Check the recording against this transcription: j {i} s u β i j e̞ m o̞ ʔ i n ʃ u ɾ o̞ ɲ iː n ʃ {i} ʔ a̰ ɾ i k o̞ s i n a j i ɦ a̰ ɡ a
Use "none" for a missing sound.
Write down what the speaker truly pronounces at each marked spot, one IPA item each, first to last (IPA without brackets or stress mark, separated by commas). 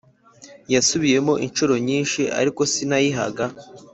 a, i